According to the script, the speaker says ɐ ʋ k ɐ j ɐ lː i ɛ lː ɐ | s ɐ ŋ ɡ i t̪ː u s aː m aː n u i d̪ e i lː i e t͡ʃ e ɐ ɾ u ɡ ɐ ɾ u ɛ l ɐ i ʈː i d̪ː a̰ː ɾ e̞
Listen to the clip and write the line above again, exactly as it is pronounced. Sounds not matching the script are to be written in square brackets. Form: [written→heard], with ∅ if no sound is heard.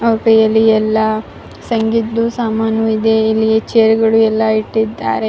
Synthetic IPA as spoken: ɐ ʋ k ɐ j ɐ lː i ɛ lː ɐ | s ɐ ŋ ɡ i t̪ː u s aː m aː n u i d̪ e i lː i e t͡ʃ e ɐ ɾ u ɡ ɐ [ɾ→ɭ] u ɛ [l→lː] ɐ i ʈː i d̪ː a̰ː ɾ e̞

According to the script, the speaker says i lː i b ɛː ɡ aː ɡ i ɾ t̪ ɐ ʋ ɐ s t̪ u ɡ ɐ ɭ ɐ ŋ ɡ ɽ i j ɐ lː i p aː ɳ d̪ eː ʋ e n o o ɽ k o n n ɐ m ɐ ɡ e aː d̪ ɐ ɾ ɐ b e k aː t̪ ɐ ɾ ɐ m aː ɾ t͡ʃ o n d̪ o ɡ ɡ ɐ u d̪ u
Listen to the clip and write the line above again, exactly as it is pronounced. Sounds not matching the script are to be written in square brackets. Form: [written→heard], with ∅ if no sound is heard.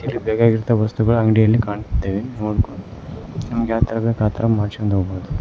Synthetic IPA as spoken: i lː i b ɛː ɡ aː ɡ i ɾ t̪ ɐ ʋ ɐ s t̪ u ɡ ɐ ɭ ɐ ŋ ɡ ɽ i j ɐ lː i [p→k] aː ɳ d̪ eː ʋ e n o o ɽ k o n n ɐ m ɐ ɡ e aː [d̪→t̪] ɐ ɾ ɐ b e k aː t̪ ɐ ɾ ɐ m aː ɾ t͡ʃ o n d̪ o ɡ [ɡ→b] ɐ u d̪ u

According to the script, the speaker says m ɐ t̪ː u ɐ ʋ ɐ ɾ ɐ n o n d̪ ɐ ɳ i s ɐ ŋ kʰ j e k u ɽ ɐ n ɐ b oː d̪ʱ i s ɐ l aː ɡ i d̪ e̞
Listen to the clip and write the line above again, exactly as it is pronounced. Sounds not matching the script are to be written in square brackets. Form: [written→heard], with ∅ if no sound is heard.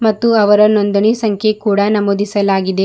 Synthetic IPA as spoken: m ɐ t̪ː u ɐ ʋ ɐ ɾ ɐ n o n d̪ ɐ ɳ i s ɐ ŋ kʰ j e k [u→uː] ɽ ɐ n ɐ [b→m] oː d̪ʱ i s ɐ l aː ɡ i d̪ e̞

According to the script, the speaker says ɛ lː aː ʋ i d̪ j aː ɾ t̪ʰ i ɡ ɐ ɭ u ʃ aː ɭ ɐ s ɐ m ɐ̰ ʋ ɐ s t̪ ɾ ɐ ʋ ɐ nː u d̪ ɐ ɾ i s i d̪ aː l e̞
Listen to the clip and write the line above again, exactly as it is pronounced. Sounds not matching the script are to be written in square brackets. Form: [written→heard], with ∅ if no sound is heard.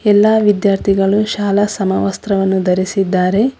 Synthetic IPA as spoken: ɛ lː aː ʋ i d̪ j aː ɾ t̪ʰ i ɡ ɐ ɭ u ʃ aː [ɭ→l] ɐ s ɐ m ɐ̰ ʋ ɐ s t̪ ɾ ɐ ʋ ɐ nː u d̪ ɐ ɾ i s i [d̪→d̪ː] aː [l→ɾ] e̞

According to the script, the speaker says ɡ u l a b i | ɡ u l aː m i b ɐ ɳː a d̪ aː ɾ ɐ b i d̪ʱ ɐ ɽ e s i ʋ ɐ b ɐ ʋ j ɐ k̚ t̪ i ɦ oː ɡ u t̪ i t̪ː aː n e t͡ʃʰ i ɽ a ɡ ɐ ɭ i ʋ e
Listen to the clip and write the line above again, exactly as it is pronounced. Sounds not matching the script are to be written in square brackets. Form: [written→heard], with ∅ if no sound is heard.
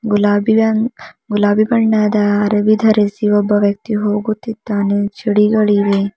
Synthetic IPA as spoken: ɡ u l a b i | ɡ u l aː [m→b] i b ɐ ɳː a d̪ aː ɾ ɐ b i d̪ʱ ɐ [ɽ→ɾ] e s i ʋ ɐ b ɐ ʋ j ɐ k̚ t̪ i ɦ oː ɡ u t̪ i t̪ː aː n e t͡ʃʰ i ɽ [a→i] ɡ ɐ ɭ i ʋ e

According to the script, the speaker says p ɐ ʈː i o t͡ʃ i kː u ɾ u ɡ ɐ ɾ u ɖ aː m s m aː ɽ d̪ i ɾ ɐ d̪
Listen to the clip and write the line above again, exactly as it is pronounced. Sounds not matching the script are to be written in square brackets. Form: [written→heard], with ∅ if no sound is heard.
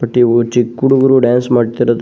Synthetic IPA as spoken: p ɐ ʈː i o t͡ʃ i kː u [ɾ→ɽ] u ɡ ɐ ɾ u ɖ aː [m→n] s m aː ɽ [d̪→t̪] i ɾ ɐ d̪

